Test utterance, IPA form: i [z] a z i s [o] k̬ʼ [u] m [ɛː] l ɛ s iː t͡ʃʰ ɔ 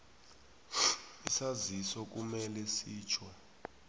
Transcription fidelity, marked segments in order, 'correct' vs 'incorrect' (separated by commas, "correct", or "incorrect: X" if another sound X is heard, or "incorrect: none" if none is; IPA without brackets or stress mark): incorrect: s, incorrect: ɔ, correct, incorrect: ɛ